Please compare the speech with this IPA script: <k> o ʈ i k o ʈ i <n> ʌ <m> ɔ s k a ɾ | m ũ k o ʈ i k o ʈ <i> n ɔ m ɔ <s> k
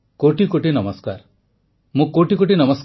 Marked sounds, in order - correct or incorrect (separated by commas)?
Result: correct, correct, correct, correct, correct